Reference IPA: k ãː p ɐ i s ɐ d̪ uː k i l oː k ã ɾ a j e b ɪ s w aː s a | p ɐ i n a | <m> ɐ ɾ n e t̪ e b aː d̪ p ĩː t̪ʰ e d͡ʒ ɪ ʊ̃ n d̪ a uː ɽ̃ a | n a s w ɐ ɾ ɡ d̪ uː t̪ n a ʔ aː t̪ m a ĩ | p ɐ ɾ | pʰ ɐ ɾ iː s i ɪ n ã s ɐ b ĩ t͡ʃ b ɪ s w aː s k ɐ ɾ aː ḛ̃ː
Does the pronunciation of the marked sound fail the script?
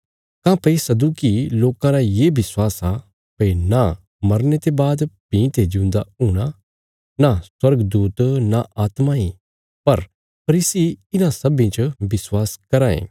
no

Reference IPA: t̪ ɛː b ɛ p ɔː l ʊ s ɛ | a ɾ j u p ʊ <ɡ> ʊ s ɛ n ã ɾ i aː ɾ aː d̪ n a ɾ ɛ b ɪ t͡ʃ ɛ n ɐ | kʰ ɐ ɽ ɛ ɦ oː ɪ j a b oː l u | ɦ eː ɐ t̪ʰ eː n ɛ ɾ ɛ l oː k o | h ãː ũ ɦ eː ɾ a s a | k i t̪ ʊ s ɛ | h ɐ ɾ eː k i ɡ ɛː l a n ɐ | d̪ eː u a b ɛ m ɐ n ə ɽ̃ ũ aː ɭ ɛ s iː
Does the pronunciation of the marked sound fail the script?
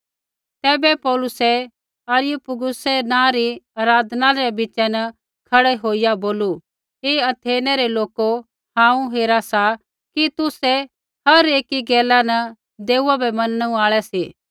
no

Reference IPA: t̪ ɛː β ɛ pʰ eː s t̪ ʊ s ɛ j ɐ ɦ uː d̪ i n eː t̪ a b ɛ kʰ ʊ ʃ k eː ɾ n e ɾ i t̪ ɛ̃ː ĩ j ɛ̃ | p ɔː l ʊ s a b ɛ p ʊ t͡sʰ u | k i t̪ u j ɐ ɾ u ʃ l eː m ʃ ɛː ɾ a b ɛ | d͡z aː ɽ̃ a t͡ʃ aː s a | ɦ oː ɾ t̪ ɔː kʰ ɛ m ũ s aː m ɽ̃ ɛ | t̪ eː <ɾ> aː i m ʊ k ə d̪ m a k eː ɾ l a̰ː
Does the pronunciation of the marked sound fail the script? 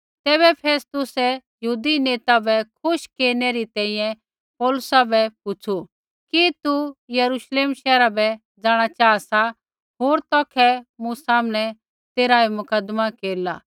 no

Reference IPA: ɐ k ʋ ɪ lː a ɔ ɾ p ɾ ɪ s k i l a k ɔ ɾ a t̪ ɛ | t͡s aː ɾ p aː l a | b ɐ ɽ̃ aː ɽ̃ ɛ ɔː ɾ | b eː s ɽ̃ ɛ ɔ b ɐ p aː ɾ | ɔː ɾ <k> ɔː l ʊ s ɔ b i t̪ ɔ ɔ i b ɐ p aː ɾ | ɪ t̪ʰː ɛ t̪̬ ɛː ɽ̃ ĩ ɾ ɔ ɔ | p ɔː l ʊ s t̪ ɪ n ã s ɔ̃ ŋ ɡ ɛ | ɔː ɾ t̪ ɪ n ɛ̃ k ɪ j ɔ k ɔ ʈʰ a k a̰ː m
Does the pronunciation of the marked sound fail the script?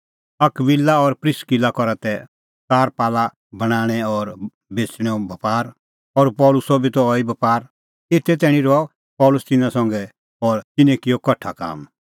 yes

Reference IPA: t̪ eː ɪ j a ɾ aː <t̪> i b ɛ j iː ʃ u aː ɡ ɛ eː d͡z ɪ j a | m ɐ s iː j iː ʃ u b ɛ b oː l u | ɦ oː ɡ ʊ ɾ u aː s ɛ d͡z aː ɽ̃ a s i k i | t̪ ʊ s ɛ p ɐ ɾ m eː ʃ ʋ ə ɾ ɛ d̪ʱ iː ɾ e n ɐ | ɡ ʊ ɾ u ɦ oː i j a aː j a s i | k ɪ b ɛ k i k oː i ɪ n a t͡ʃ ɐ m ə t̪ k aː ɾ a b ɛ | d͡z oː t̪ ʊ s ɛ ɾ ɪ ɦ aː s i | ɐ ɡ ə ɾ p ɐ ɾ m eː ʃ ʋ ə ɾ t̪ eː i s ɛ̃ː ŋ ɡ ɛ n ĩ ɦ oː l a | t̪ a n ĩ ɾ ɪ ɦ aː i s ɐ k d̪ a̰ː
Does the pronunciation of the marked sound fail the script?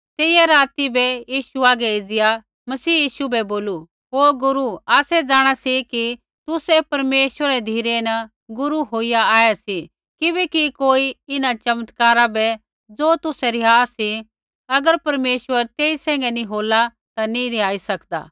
no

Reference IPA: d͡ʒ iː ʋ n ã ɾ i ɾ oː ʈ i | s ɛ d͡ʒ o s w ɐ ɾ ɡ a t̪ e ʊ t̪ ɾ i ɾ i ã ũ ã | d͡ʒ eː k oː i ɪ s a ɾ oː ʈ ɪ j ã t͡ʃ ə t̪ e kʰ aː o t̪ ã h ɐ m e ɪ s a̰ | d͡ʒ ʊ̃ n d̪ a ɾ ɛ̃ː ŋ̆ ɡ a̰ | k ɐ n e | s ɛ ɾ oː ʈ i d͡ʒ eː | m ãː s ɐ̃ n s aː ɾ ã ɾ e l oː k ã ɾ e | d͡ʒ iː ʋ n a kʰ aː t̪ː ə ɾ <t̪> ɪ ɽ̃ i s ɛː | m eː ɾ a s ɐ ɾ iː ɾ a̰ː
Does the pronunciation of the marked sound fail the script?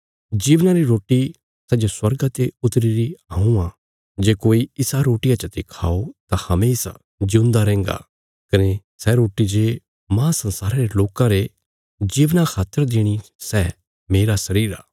yes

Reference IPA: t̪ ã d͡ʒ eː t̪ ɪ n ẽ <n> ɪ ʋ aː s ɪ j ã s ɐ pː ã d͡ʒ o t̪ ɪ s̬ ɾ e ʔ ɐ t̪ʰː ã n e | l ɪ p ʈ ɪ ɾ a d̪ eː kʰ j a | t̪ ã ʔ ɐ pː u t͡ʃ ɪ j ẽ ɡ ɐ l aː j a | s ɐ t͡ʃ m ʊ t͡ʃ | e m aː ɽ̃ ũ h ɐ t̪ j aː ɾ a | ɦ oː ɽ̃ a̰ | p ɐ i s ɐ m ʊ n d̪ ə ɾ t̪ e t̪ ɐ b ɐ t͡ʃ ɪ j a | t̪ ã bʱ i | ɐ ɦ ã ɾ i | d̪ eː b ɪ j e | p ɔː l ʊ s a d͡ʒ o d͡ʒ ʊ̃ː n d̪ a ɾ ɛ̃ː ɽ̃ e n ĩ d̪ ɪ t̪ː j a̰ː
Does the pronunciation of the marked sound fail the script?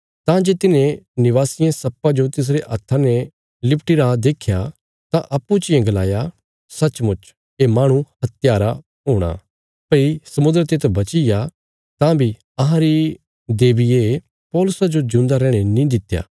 no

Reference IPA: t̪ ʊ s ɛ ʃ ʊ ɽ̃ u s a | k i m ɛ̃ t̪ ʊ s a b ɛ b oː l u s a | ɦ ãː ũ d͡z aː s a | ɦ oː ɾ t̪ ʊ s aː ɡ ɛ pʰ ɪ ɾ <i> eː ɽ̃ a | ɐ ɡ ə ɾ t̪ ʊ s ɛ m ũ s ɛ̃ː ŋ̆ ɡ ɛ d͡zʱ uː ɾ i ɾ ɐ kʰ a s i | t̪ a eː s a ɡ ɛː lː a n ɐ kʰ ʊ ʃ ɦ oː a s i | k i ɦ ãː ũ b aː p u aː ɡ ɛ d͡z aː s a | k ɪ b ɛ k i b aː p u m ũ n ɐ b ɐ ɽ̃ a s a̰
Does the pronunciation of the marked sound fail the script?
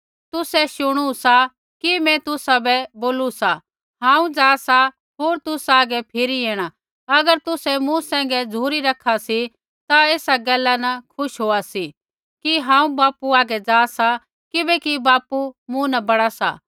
no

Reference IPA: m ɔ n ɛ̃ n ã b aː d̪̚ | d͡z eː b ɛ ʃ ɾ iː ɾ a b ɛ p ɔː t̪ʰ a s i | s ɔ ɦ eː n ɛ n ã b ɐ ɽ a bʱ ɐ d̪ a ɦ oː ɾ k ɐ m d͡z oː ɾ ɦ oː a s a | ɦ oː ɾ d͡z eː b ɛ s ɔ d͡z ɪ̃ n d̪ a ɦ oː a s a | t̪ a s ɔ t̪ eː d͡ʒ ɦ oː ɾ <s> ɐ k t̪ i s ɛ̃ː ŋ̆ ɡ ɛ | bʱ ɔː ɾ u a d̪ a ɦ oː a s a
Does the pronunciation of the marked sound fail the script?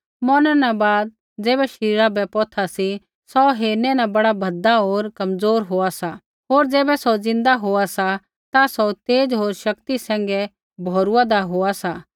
yes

